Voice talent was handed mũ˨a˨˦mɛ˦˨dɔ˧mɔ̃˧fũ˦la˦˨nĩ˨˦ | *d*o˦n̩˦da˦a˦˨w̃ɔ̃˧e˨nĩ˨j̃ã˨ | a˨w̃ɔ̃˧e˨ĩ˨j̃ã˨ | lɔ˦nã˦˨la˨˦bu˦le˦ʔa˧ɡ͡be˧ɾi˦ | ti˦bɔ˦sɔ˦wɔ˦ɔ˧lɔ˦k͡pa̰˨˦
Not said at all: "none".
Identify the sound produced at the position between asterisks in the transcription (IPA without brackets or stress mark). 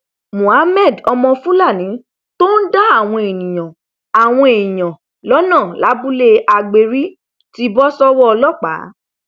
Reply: t